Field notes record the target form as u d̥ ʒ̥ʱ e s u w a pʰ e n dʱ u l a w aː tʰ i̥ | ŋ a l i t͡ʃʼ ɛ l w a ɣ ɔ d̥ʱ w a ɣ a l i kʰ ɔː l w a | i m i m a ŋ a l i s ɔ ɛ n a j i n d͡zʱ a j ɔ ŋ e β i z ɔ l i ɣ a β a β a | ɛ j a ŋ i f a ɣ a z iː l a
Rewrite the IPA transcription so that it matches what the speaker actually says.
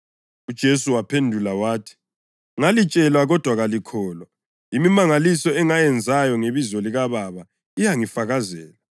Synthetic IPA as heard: u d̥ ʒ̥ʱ e s u w a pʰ e n dʱ u l a w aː tʰ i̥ | ŋ a l i t͡ʃʼ ɛ l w a ɣ ɔ d̥ʱ w a ɣ a l i kʰ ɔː l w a | i m i m a ŋ a l i s ɔ ɛ ŋ a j ɛ n d͡zʱ a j ɔ ŋ e β i z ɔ l i ɣ a β a β a | i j a ŋ i f a ɣ a z ɛː l a